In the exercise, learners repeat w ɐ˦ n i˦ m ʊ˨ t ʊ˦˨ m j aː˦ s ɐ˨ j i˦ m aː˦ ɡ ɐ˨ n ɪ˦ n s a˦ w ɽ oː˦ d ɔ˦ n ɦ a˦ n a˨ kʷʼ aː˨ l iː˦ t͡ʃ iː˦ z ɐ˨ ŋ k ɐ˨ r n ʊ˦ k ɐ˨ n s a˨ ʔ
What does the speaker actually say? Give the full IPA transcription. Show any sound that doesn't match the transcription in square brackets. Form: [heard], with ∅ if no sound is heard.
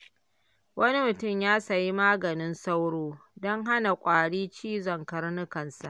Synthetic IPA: w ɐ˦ n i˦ m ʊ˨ t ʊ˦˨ m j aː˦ s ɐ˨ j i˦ m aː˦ ɡ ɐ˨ n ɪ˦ n s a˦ w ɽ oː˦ d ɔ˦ [ŋ] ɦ a˦ n a˨ kʷʼ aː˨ [ɽ] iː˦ t͡ʃ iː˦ z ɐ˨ ŋ k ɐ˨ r n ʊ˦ k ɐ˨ n s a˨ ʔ